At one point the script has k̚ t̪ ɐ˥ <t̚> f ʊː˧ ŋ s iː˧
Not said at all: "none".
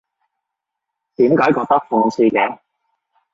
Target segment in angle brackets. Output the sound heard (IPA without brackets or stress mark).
k̚